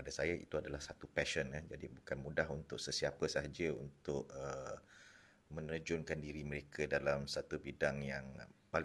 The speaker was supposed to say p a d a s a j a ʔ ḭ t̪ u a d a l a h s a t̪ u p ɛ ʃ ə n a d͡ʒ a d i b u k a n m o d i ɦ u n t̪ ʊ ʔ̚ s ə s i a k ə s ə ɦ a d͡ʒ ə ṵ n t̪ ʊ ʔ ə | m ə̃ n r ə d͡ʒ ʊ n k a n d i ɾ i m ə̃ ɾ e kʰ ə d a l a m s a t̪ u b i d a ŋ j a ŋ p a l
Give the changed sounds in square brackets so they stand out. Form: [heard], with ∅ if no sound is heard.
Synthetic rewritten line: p a d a s a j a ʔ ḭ t̪ u a d a l a h s a t̪ u p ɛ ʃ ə n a d͡ʒ a d i b u k a n m [u] d [a] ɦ u n t̪ ʊ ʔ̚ s ə s i a [p] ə s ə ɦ a d͡ʒ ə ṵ n t̪ ʊ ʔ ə | m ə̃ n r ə d͡ʒ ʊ n k a n d i ɾ i m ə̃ ɾ e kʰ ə d a l a m s a t̪ u b i d a ŋ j a ŋ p a l